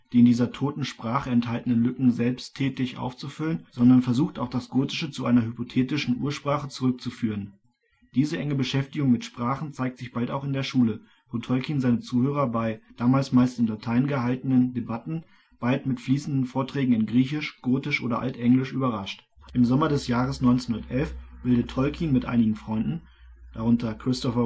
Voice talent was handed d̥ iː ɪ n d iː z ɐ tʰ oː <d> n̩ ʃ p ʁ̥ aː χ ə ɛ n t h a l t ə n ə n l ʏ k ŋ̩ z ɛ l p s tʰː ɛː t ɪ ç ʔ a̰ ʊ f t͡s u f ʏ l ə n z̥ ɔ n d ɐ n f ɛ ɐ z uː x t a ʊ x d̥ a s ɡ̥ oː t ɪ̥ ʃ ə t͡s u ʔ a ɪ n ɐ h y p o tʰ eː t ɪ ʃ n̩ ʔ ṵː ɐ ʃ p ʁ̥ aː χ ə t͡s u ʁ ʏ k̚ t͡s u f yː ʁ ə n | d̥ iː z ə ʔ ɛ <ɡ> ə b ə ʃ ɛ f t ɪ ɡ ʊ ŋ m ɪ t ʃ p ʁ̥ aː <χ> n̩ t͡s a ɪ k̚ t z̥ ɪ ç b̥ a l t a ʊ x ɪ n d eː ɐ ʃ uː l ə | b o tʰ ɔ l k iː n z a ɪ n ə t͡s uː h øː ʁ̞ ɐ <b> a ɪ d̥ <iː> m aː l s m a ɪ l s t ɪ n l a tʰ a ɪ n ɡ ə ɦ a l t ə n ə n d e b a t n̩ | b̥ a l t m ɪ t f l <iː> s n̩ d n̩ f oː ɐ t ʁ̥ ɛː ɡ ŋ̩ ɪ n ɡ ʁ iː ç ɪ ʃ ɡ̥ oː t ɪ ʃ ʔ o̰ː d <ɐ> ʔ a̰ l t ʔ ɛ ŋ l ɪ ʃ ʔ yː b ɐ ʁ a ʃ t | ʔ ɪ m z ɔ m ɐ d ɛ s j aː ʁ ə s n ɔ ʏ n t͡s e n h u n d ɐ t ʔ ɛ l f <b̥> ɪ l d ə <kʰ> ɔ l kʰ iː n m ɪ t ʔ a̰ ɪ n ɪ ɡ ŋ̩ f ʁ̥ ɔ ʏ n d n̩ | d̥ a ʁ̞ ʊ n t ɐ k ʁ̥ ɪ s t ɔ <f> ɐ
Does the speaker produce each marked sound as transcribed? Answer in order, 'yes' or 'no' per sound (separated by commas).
no, no, yes, yes, no, yes, yes, yes, no, yes